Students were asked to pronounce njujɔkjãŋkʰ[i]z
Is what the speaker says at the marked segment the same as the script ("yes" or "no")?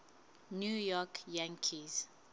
yes